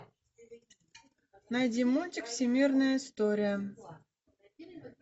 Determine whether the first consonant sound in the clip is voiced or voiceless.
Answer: voiced